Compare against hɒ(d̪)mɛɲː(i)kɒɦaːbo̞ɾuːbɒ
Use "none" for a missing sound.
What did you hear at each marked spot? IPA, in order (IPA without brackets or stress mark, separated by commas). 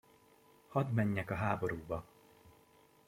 d̪, ɛ